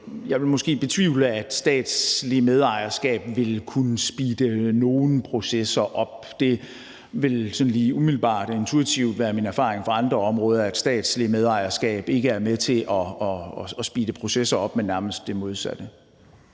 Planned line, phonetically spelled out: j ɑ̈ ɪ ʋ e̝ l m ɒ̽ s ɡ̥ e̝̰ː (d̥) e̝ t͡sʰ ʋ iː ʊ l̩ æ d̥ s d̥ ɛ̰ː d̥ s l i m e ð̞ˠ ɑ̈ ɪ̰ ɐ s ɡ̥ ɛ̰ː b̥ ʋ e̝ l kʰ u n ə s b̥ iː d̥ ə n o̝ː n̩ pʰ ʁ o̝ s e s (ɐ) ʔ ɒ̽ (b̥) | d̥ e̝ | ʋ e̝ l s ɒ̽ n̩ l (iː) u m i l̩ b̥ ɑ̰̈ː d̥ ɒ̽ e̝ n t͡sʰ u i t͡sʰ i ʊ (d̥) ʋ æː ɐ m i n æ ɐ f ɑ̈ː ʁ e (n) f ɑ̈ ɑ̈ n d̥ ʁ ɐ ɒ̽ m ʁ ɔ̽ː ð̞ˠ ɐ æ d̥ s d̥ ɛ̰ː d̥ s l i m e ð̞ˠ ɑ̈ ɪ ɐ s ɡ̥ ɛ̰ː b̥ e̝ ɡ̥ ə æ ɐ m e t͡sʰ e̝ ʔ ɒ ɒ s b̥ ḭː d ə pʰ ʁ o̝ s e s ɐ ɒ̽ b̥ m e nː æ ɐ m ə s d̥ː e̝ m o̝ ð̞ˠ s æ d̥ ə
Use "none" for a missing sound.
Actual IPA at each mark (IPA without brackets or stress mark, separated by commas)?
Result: b̥, ɐ, b̥, iː, d̥, ŋ